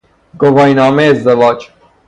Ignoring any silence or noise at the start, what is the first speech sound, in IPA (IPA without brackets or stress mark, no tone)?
ɡ